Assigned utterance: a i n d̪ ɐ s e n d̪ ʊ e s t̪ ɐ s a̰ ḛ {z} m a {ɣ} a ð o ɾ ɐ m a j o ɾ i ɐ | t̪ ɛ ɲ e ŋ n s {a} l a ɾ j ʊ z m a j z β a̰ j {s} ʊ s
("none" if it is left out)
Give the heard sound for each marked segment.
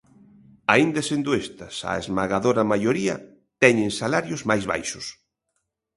z, ɣ, a, ʃ

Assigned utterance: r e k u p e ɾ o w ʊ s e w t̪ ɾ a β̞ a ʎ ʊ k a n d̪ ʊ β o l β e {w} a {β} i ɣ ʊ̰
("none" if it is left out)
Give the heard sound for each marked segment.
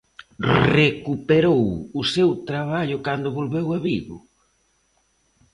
w, β

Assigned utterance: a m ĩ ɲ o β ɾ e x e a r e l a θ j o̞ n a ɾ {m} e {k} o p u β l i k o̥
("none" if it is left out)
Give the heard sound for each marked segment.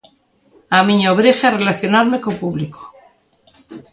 m, k

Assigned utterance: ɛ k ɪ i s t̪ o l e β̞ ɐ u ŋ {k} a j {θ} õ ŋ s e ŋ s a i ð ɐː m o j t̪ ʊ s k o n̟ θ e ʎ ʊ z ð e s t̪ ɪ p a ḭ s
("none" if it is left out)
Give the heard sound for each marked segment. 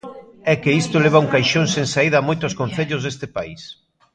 k, ʃ

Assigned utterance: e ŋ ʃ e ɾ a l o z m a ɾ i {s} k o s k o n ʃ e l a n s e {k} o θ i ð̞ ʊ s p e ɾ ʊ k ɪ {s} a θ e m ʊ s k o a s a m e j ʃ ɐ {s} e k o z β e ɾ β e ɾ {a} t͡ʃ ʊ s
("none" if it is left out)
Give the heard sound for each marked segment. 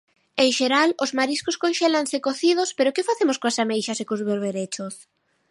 s, k, f, s, e

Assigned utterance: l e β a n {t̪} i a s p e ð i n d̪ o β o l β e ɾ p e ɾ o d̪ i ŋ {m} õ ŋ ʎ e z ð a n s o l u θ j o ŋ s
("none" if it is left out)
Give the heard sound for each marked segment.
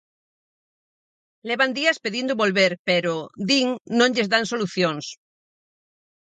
d̪, n

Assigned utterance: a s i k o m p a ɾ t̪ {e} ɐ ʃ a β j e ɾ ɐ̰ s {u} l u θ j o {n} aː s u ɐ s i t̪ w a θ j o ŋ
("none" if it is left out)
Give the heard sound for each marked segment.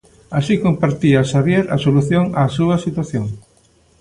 i, o, ŋ

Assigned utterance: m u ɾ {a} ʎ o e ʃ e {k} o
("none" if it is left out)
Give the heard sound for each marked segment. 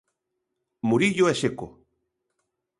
i, k

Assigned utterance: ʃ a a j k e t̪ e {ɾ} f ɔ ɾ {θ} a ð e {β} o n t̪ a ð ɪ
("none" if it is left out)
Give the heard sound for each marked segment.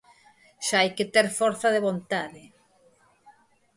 ɾ, θ, β

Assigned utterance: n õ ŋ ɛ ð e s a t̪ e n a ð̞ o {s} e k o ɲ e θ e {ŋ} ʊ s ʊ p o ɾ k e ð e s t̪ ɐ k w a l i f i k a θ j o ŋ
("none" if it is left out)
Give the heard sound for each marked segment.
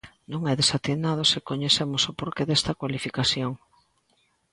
s, m

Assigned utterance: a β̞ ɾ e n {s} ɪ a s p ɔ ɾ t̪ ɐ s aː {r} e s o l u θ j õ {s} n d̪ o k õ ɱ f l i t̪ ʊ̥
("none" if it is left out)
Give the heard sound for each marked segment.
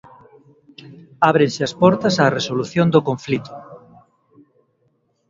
s, r, none

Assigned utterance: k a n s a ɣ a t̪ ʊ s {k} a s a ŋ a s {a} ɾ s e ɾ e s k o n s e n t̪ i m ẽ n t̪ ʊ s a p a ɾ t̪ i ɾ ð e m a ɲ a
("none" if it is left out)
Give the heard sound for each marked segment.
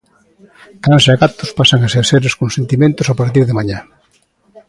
p, e

